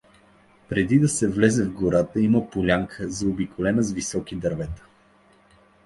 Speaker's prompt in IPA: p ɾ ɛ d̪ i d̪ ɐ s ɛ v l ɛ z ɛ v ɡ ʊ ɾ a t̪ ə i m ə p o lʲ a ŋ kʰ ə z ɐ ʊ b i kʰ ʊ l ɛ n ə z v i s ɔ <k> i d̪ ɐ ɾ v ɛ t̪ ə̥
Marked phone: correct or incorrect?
correct